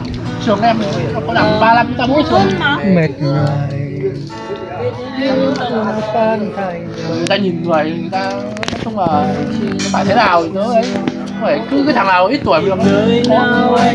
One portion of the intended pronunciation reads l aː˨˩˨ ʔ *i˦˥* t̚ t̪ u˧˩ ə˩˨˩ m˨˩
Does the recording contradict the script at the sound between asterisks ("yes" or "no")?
no